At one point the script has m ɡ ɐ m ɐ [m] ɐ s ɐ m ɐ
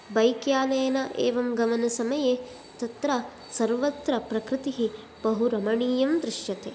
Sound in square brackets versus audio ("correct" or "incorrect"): incorrect